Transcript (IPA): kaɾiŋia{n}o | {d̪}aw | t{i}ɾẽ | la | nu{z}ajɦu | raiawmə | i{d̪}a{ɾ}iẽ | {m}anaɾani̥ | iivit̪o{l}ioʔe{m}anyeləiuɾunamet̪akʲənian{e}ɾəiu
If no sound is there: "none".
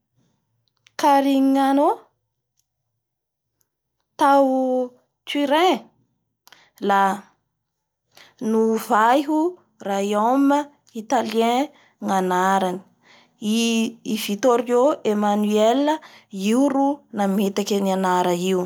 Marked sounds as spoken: n, t̪, i, v, t̪, l, ŋ, ɾ, m, a

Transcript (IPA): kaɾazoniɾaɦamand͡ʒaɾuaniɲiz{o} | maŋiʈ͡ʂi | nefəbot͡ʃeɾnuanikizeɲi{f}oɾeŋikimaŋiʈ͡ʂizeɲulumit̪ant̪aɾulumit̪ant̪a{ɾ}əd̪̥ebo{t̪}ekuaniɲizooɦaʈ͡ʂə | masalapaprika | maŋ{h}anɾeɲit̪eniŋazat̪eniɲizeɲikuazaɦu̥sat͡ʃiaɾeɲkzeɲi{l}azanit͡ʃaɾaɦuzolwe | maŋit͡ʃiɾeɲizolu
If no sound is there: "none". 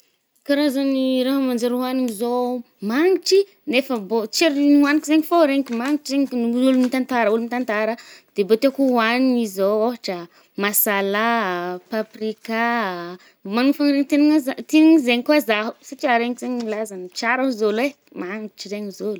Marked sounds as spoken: o, f, ɾ, t̪, f, l

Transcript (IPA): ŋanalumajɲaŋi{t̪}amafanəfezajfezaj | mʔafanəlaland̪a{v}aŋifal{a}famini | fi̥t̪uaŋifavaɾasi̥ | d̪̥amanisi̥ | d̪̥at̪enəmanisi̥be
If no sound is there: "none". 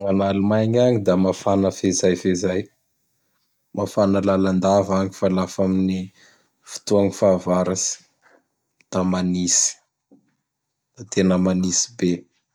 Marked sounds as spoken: d̪, v, a

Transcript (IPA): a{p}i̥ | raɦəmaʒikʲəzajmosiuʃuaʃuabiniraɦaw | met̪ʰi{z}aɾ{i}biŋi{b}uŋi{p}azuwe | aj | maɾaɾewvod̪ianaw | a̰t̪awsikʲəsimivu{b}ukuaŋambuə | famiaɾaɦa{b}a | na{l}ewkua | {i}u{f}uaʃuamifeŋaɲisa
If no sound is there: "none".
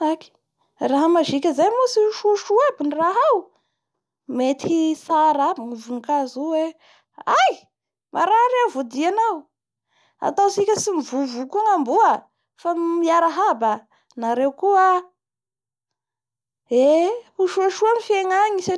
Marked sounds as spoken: k, s, a, v, k, v, b, ɾ, e, ʃ

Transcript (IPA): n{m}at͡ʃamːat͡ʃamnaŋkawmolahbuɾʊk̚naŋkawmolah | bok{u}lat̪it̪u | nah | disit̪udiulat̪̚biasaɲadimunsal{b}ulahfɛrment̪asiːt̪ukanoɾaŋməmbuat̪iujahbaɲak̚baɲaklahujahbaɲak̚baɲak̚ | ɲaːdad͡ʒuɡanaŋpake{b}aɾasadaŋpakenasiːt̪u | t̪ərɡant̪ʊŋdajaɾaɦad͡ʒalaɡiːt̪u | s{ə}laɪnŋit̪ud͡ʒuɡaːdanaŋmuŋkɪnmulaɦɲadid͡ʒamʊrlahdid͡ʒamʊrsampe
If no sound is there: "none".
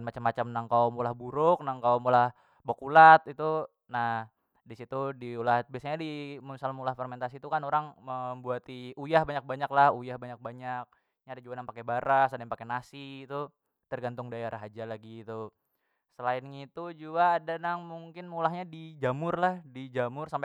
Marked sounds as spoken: m, u, m, b, ə

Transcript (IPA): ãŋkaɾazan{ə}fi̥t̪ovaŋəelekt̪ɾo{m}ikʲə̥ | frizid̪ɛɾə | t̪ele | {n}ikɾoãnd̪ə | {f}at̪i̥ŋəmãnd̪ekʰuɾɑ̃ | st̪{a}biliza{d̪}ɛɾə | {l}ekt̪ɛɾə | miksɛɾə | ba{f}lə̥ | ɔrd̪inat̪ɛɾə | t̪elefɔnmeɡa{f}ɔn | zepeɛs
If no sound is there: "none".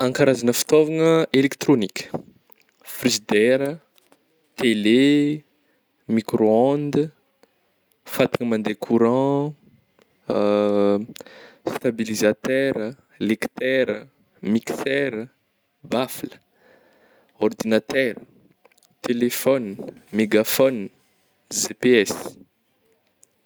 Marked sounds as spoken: ə, n, m, f, a, t̪, l, f, f

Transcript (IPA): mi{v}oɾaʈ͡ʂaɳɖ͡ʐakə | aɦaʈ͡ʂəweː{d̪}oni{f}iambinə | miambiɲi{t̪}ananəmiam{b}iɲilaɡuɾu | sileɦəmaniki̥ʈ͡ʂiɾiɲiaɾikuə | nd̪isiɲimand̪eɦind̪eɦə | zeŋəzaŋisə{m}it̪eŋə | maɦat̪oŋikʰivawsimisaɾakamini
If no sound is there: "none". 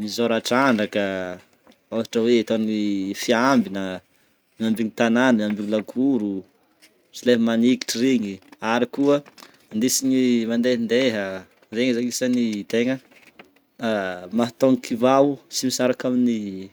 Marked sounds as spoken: z, t̪, f, t̪, b, n

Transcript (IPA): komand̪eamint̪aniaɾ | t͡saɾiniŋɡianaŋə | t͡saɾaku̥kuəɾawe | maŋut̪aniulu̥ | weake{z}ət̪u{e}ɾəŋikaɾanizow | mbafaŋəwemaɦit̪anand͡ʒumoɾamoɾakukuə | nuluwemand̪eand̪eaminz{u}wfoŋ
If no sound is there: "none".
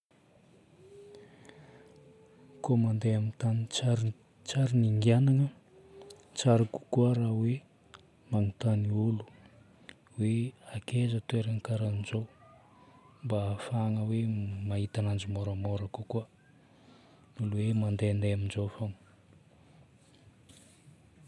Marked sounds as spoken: z, e, o

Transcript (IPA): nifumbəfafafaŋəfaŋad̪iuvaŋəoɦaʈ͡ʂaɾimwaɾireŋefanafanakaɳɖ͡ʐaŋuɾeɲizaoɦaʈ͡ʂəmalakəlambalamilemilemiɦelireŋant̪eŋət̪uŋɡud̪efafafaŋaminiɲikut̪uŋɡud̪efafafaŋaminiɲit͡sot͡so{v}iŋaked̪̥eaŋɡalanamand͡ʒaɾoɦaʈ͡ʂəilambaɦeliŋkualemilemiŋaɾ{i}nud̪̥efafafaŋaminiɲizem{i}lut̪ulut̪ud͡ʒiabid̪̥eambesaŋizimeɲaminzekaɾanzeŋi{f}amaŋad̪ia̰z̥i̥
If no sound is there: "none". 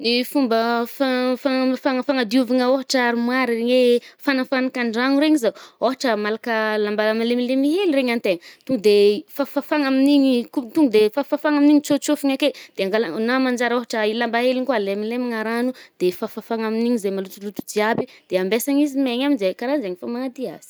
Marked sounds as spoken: f, a, a, f

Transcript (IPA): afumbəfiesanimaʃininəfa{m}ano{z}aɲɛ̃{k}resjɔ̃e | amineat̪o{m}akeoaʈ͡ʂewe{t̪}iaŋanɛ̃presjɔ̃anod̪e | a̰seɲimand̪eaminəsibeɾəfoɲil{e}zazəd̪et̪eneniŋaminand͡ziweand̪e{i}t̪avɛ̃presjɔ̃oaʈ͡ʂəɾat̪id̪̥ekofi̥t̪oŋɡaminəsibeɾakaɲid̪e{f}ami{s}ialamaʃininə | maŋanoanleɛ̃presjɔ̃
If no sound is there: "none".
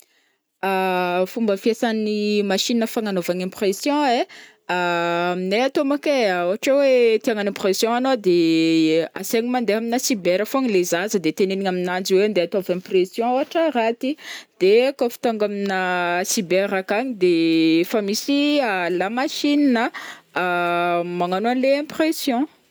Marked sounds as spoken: ŋ, v, p, m, t̪, e, a, f, s

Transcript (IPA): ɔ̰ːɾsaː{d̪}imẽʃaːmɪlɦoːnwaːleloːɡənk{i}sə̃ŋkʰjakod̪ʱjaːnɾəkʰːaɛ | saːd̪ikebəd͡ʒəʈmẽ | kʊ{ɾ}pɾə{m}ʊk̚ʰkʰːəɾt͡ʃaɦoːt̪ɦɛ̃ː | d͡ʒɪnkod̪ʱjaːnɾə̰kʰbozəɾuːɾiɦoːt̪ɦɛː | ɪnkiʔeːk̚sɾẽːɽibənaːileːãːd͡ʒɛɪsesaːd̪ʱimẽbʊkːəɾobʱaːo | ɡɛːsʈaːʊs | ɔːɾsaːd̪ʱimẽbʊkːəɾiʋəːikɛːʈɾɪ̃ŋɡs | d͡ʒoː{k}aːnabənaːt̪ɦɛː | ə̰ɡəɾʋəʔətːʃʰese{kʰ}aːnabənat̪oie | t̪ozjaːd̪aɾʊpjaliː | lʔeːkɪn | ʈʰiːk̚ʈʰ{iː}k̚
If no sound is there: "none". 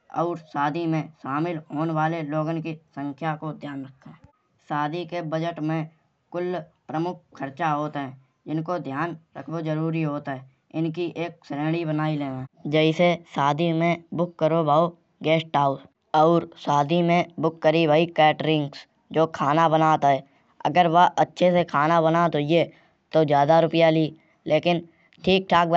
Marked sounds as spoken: d̪, i, l, m, kʰ, kʰ, aː

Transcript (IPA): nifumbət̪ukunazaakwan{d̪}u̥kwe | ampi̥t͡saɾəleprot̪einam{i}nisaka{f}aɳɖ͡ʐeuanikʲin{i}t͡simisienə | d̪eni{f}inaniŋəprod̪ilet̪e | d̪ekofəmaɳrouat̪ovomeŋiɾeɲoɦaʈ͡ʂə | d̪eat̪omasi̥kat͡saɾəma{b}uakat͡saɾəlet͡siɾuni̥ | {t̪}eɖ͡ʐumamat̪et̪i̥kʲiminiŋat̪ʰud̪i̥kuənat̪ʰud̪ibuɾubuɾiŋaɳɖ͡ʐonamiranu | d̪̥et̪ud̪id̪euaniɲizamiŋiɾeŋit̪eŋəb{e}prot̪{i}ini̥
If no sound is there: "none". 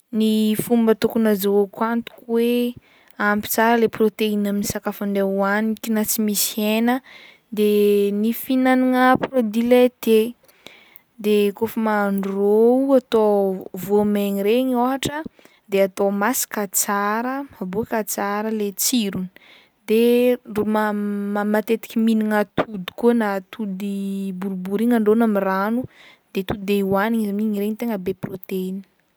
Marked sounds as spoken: t̪, i, f, a, f, b, d̪, e, e

